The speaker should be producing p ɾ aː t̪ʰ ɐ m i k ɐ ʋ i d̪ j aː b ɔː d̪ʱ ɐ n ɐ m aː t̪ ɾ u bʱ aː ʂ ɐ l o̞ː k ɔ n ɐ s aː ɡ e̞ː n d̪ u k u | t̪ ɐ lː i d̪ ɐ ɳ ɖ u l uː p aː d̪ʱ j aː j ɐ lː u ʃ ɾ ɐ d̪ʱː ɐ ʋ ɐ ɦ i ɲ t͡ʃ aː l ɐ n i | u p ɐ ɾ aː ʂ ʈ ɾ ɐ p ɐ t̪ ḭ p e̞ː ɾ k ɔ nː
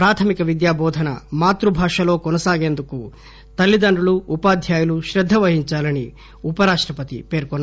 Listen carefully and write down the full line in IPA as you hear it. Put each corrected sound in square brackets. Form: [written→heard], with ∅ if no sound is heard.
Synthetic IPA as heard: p ɾ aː t̪ʰ ɐ m i k ɐ ʋ i d̪ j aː b ɔː d̪ʱ ɐ n ɐ m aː t̪ ɾ u bʱ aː ʂ ɐ l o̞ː k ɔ n ɐ s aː ɡ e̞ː n d̪ u k u | t̪ ɐ lː i d̪ ɐ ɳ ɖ u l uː p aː d̪ʱ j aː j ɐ [lː→l] u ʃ ɾ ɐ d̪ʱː ɐ ʋ ɐ ɦ i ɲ t͡ʃ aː l ɐ n i | u p ɐ ɾ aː ʂ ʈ ɾ ɐ p ɐ t̪ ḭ p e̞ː ɾ k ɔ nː